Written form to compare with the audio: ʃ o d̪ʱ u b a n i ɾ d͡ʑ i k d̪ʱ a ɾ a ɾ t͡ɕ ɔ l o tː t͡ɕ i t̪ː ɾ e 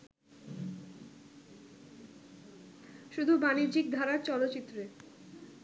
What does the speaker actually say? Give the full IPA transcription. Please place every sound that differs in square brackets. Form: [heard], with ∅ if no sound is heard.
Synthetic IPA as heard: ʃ [u] d̪ʱ u b a n i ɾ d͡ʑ i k d̪ʱ a ɾ a ɾ t͡ɕ ɔ l o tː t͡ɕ i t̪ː ɾ e

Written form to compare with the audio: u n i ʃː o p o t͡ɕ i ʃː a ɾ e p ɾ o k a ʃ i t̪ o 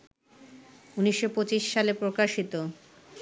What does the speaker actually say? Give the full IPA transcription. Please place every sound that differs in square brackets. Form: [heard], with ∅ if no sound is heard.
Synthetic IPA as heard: u n i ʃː o p o t͡ɕ i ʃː a [l] e p ɾ o k a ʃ i t̪ o

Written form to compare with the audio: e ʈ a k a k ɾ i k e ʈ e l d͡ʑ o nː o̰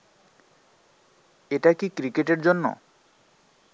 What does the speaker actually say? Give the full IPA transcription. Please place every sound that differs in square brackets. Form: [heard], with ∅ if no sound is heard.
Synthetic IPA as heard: e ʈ a k [i] k ɾ i k e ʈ e [ɾ] d͡ʑ o nː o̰

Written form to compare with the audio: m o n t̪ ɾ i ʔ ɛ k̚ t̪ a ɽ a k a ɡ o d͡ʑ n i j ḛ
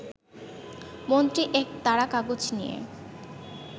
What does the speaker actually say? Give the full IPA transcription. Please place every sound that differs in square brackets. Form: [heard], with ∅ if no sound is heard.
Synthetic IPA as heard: m o n t̪ ɾ i ʔ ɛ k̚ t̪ a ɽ a k a ɡ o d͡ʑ n i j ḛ

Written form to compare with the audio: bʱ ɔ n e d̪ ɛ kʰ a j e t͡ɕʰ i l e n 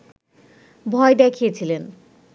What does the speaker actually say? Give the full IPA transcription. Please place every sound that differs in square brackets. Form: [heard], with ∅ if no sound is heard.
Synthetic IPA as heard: bʱ ɔ [∅] e d̪ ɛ kʰ [i] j e t͡ɕʰ i l e n

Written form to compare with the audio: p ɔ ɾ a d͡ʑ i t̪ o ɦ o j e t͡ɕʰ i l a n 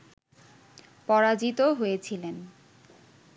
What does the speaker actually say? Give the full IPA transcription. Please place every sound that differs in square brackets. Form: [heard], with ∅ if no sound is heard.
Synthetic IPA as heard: p ɔ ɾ a d͡ʑ i t̪ o ɦ o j e t͡ɕʰ i l [e] n

